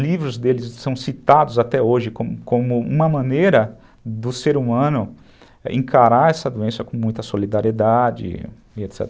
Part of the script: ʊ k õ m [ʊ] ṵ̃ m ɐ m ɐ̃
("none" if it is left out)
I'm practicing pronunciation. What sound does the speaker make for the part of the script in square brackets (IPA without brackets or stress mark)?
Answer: ʊ